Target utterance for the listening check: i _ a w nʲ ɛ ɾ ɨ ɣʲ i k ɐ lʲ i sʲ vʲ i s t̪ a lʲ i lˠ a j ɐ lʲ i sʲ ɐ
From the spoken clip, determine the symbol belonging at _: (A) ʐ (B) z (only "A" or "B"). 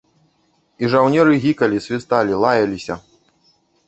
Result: A